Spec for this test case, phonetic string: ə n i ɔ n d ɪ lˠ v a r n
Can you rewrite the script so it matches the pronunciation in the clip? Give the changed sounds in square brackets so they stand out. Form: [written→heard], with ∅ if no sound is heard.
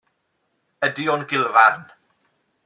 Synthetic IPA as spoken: ə [n→d] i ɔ n [d→ɡ] ɪ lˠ v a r n